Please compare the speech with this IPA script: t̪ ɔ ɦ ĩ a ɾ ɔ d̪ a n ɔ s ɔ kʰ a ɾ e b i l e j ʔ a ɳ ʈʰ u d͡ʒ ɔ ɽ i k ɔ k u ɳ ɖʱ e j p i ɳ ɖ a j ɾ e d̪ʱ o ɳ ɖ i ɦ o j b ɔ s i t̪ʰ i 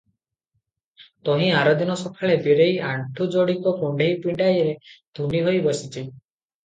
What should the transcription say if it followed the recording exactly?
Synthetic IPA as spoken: t̪ ɔ ɦ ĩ a ɾ ɔ d̪ i n ɔ s ɔ kʰ a ɭ e b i ɾ e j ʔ a ɳ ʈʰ u d͡ʒ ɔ ɽ i k ɔ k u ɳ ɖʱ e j p i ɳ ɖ a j ɾ e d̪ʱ u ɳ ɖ i ɦ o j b ɔ s i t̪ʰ i